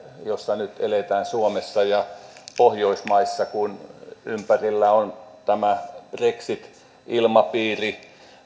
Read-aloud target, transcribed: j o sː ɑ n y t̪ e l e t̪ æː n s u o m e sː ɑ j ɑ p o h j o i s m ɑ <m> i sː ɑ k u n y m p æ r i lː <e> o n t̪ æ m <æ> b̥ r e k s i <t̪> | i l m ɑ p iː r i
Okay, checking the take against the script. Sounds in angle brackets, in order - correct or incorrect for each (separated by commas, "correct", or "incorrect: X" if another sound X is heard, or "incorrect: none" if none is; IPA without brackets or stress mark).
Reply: incorrect: none, incorrect: æ, correct, correct